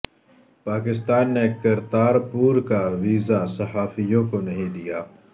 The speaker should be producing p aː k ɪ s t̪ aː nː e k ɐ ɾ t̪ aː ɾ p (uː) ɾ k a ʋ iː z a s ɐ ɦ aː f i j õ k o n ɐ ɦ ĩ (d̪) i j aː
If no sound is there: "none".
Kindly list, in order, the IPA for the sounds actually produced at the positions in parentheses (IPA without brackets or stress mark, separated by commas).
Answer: uː, d̪